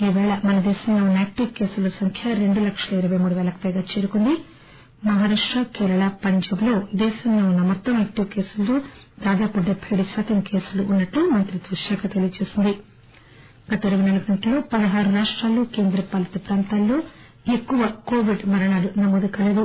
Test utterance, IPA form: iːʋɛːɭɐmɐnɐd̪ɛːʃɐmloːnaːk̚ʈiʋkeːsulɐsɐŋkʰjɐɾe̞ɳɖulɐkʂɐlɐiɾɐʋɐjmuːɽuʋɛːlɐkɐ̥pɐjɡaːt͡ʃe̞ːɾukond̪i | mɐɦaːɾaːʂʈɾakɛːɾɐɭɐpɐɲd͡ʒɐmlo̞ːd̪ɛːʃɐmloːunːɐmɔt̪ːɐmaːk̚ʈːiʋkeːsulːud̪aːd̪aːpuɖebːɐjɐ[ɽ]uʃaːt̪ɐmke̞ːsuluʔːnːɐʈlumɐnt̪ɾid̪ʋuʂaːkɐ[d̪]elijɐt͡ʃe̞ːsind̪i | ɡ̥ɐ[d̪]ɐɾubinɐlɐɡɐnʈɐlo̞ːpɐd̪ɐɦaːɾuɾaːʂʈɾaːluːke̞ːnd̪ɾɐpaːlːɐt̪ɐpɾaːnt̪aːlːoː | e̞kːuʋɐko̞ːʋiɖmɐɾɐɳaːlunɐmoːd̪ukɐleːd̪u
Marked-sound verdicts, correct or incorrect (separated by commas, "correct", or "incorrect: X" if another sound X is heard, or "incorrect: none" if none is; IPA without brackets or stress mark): correct, incorrect: t̪, incorrect: t̪